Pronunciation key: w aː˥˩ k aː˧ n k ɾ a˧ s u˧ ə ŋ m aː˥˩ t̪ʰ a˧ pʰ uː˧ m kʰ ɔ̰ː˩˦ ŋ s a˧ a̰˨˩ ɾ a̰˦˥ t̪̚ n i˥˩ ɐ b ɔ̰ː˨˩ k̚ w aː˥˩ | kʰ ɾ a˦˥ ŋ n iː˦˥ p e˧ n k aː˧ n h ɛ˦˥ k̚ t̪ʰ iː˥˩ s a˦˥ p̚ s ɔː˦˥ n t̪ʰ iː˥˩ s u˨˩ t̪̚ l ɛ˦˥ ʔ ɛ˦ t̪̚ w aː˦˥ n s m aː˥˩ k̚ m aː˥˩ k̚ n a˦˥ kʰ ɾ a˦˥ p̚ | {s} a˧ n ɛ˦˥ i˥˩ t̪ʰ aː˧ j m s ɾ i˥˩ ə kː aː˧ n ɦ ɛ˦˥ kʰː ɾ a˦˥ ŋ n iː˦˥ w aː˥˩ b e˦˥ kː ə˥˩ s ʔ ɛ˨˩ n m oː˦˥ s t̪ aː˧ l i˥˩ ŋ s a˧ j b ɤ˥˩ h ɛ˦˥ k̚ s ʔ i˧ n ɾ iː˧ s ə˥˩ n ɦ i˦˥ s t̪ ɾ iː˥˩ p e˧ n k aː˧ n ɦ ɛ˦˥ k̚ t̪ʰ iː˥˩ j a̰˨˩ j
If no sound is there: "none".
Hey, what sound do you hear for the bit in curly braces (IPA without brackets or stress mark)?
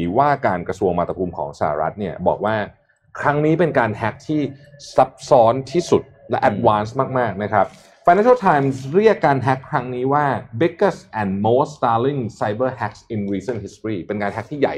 f